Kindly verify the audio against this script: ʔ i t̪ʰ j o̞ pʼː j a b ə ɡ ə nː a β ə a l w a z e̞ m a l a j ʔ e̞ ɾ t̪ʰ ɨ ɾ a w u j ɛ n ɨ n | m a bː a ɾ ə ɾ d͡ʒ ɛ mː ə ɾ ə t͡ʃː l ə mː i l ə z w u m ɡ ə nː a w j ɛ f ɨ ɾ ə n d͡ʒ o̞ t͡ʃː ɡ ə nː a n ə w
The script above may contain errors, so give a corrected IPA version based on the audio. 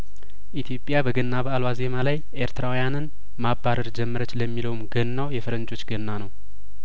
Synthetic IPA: ʔ i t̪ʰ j o̞ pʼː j a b ə ɡ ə nː a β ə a l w a z e̞ m a l a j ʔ e̞ ɾ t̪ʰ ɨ ɾ a w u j a n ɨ n | m a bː a ɾ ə ɾ d͡ʒ ɛ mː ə ɾ ə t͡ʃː l ə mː i l ə w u m ɡ ə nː a w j ɛ f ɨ ɾ ə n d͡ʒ o̞ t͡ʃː ɡ ə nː a n ə w

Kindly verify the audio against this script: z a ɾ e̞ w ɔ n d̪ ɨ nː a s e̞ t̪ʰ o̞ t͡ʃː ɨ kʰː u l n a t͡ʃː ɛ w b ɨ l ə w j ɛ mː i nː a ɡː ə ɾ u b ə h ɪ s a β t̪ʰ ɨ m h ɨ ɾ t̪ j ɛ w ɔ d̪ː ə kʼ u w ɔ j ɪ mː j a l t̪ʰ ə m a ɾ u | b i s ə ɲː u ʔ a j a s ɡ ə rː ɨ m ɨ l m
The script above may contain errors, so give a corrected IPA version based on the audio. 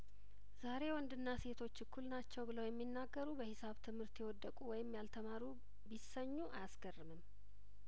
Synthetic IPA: z a ɾ e̞ w ɔ n d̪ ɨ nː a s e̞ t̪ʰ o̞ t͡ʃː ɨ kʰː u l n a t͡ʃː ɛ w b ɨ l ə w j ɛ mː i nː a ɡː ə ɾ u b ə h ɪ s a β t̪ʰ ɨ m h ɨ ɾ t̪ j ɛ w ɔ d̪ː ə kʼ u w ɔ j ɪ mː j a l t̪ʰ ə m a ɾ u | b i s ə ɲː u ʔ a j a s ɡ ə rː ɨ m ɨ m

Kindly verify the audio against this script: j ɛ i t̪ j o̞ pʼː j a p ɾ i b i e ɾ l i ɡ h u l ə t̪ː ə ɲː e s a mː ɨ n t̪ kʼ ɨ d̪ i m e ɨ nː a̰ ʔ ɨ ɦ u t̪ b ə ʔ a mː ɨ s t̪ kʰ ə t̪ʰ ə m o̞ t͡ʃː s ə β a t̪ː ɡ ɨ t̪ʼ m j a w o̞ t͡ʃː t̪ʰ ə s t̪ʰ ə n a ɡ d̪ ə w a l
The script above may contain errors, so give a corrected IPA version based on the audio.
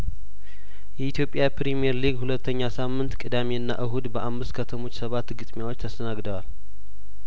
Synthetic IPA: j ɛ i t̪ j o̞ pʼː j a p ɾ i m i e ɾ l i ɡ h u l ə t̪ː ə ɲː a s a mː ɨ n t̪ kʼ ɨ d̪ a m e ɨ nː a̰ ʔ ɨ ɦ u d̪ b ə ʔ a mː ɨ s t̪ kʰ ə t̪ʰ ə m o̞ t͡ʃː s ə β a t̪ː ɡ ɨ t̪ʼ m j a w o̞ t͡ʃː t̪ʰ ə s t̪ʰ ə n a ɡ d̪ ə w a l

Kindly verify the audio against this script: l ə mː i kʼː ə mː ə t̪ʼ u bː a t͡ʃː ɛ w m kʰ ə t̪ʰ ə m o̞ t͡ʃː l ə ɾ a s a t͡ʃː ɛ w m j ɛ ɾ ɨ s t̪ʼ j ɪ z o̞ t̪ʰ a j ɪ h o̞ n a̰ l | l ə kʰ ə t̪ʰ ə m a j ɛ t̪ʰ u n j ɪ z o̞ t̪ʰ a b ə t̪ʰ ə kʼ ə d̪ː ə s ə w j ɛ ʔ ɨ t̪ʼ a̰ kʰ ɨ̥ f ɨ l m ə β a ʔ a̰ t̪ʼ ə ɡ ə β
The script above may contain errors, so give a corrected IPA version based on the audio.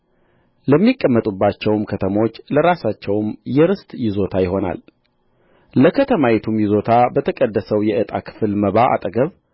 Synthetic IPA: l ə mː i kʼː ə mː ə t̪ʼ u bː a t͡ʃː ɛ w m kʰ ə t̪ʰ ə m o̞ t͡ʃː l ə ɾ a s a t͡ʃː ɛ w m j ɛ ɾ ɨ s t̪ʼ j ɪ z o̞ t̪ʰ a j ɪ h o̞ n a̰ l | l ə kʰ ə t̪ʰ ə m a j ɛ t̪ʰ u m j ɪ z o̞ t̪ʰ a b ə t̪ʰ ə kʼ ə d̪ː ə s ə w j ɛ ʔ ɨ t̪ʼ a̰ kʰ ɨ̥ f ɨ l m ə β a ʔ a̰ t̪ʼ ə ɡ ə β

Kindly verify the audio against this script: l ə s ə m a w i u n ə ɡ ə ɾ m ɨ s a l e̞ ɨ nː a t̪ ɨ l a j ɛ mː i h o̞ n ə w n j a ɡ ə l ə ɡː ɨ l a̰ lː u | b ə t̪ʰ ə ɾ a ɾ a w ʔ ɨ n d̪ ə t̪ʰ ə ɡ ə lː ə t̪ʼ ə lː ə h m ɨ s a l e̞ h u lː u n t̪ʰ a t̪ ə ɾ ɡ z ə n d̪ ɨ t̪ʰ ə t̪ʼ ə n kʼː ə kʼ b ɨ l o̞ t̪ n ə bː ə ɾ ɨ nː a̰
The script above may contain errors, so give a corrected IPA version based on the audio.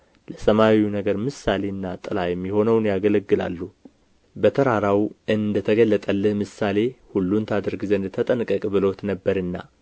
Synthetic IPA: l ə s ə m a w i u n ə ɡ ə ɾ m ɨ s a l e̞ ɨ nː a t̪ʼ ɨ l a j ɛ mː i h o̞ n ə w n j a ɡ ə l ə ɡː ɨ l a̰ lː u | b ə t̪ʰ ə ɾ a ɾ a w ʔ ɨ n d̪ ə t̪ʰ ə ɡ ə lː ə t̪ʼ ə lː ə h m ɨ s a l e̞ h u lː u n t̪ʰ a d̪ ə ɾ ɡ z ə n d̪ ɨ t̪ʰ ə t̪ʼ ə n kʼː ə kʼ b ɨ l o̞ t̪ n ə bː ə ɾ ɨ nː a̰

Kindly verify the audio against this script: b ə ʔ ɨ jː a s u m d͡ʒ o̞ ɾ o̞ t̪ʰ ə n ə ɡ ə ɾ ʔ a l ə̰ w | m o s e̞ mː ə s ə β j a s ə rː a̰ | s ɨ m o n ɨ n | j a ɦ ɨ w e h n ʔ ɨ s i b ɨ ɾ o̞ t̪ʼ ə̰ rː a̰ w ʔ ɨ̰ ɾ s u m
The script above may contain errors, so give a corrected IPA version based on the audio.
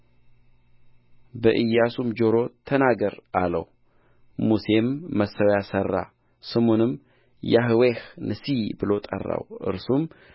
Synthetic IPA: b ə ʔ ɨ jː a s u m d͡ʒ o̞ ɾ o̞ t̪ʰ ə n a ɡ ə ɾ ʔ a l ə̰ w | m u s e̞ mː ə s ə w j a s ə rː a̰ | s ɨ m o n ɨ m | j a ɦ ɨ w e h n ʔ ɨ s i b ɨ l o̞ t̪ʼ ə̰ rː a̰ w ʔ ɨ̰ ɾ s u m

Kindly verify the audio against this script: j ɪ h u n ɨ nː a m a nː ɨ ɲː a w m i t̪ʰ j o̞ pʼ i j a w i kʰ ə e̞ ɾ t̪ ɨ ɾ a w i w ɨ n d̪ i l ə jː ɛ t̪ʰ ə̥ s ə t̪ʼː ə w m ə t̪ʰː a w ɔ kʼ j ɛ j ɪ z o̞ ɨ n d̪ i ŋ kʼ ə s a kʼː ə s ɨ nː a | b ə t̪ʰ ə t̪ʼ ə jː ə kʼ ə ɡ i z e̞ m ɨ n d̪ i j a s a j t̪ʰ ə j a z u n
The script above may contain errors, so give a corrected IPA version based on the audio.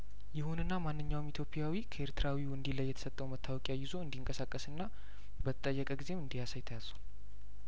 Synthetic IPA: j ɪ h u n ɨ nː a m a nː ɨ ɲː a w m i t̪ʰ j o̞ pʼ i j a w i kʰ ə e̞ ɾ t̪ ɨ ɾ a w i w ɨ n d̪ i l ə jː ɛ t̪ʰ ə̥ s ə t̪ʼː ə w m ə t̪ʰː a w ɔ kʼ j a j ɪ z o̞ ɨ n d̪ i ŋ kʼ ə s a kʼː ə s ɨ nː a | b ə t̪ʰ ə t̪ʼ ə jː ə kʼ ə ɡ i z e̞ m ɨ n d̪ i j a s a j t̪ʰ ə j a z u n

